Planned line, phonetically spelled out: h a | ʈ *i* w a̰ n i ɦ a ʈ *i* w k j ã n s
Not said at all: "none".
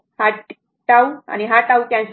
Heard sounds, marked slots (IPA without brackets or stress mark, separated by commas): a, a